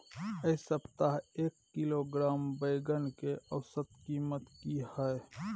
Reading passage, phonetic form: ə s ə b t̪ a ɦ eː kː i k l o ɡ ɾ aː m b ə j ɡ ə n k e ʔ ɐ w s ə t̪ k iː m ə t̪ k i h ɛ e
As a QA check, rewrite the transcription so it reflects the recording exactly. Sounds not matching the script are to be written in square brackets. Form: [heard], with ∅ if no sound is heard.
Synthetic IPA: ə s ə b t̪ a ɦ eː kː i [∅] l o ɡ ɾ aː m b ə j ɡ ə n k e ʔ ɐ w s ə t̪ k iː m ə t̪ k i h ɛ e